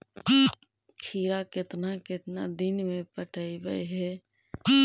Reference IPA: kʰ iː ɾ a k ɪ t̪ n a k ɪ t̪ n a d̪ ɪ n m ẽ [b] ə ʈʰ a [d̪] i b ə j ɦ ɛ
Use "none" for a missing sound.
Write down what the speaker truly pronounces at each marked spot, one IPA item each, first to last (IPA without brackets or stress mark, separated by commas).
p, none